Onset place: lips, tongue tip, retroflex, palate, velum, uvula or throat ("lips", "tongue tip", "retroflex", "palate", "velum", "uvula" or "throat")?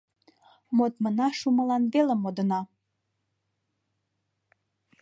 lips